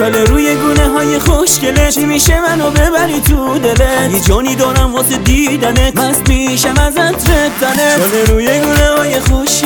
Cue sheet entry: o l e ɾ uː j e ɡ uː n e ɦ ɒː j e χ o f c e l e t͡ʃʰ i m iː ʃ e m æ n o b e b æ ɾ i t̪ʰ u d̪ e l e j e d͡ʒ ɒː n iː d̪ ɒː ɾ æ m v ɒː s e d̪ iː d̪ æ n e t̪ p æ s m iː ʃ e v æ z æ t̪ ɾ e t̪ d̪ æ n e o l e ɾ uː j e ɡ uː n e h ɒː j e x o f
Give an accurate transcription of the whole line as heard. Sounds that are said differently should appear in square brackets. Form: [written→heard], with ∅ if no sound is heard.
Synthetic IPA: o l e ɾ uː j e ɡ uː n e ɦ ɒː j e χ o [f→ʃ] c e l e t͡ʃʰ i m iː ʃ e m æ n o b e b æ ɾ i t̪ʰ u d̪ e l e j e d͡ʒ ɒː n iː d̪ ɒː ɾ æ m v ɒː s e d̪ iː d̪ æ n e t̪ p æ s m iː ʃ [e→æ] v æ z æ t̪ ɾ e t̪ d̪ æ n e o l e ɾ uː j e ɡ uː n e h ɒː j e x o [f→ʃ]